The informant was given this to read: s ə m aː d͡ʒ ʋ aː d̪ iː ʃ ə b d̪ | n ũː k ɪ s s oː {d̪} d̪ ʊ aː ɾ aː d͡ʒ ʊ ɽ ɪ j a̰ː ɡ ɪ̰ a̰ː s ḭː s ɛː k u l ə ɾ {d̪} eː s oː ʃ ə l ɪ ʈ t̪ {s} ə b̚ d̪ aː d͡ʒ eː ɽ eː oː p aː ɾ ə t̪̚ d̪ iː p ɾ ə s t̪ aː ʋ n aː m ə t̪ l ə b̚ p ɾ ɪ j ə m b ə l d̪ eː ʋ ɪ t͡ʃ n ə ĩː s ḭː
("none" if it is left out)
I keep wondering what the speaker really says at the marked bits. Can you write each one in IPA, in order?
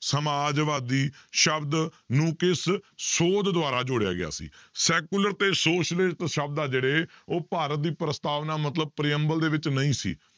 d̪, t̪, ʃ

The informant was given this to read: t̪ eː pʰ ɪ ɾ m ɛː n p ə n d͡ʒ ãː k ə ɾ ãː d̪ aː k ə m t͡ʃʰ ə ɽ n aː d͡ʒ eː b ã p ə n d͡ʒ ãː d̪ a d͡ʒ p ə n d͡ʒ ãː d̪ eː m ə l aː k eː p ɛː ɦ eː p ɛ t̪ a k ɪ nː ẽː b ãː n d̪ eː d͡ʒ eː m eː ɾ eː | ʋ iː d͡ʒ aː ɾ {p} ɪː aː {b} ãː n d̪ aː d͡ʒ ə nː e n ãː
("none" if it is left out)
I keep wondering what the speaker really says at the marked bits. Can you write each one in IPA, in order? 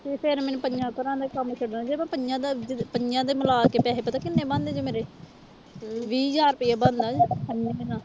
p, b

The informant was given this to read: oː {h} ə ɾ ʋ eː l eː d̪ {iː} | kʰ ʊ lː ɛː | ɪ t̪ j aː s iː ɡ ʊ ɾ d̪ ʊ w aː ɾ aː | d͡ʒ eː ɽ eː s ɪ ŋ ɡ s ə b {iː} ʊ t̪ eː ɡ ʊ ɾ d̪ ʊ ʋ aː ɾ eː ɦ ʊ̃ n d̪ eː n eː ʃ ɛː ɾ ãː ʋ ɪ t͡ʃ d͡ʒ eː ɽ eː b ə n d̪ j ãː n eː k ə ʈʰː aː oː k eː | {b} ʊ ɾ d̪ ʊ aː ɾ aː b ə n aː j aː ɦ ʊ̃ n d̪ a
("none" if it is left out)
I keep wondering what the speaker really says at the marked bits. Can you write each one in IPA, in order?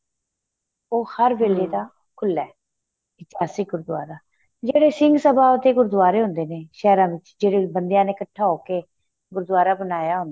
h, aː, aː, ɡ

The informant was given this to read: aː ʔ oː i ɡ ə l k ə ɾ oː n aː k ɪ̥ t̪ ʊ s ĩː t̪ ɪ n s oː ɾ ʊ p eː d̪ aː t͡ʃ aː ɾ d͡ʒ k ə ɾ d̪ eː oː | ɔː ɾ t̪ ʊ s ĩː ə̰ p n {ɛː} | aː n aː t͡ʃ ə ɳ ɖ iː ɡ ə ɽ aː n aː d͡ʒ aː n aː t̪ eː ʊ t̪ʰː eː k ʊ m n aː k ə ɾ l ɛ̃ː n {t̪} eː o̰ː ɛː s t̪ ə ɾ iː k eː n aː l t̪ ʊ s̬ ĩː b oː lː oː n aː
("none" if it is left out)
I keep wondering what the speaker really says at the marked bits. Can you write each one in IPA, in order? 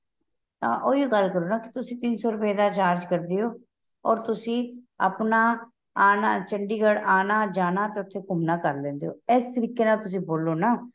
aː, d̪

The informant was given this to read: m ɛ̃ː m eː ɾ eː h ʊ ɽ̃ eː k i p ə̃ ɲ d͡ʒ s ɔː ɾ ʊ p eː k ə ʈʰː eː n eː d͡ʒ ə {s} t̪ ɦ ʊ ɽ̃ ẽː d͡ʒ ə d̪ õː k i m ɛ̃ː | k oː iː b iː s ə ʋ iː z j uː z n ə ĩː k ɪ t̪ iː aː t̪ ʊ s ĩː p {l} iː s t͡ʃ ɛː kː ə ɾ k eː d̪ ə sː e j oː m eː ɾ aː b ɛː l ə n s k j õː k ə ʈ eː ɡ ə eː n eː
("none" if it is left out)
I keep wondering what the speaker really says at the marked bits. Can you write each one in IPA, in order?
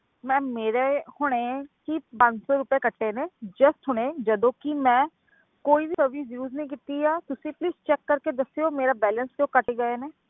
s, l

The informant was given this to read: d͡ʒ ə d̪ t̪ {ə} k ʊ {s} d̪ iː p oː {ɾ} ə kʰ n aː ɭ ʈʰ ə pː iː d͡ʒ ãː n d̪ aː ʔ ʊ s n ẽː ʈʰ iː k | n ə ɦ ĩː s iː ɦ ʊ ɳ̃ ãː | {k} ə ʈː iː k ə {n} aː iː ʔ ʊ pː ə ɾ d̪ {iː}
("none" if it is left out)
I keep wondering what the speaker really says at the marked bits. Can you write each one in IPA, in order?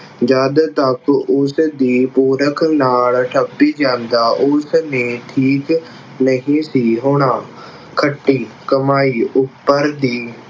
ə, s, ɾ, kʰ, m, iː

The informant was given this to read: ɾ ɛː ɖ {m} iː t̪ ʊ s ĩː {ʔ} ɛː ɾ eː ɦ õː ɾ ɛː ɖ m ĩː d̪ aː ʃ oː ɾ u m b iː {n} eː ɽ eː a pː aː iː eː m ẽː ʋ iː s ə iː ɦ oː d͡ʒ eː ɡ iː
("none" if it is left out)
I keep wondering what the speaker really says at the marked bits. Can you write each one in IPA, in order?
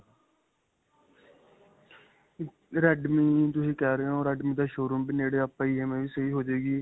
m, k, n

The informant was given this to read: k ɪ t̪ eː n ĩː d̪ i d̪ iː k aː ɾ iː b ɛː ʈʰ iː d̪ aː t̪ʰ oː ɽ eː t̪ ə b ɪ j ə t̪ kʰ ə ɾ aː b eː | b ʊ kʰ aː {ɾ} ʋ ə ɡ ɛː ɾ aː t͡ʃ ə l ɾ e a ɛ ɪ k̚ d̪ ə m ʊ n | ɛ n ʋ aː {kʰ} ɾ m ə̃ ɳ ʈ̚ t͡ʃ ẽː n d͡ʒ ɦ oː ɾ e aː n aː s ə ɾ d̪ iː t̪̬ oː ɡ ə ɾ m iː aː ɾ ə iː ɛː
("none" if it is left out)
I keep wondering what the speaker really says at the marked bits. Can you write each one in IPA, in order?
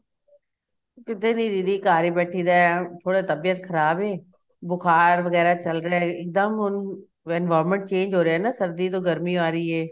ɾ, none

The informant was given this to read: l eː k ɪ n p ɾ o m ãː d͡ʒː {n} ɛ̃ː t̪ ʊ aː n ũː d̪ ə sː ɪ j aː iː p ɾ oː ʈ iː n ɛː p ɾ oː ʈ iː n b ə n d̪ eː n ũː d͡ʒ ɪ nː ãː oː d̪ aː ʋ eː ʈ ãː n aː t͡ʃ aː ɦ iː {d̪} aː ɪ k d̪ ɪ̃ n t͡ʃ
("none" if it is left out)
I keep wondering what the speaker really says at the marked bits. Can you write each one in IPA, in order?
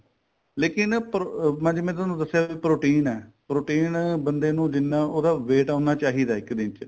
m, d̪

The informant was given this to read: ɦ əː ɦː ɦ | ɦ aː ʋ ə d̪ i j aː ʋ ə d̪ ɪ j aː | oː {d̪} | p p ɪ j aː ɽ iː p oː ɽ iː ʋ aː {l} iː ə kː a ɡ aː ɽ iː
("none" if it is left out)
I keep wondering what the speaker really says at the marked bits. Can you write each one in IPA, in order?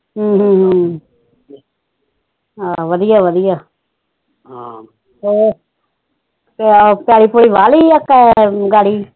none, l

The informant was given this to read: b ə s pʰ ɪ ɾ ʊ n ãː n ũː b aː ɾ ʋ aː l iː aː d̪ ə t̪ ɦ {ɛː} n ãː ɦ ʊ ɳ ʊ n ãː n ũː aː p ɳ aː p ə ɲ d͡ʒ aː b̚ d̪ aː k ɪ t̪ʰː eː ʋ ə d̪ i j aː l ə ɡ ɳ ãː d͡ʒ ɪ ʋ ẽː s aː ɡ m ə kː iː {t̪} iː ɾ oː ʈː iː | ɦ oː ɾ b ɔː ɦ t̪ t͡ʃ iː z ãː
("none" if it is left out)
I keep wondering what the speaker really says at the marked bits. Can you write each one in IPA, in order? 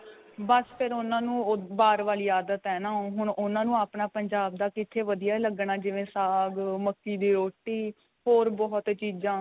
ɛː, d̪

